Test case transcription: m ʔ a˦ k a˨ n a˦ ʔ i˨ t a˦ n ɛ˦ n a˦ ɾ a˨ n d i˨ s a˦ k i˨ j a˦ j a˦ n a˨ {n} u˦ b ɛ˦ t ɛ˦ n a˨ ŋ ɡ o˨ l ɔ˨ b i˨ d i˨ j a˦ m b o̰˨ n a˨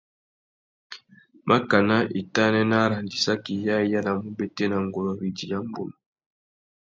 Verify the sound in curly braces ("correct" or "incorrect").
incorrect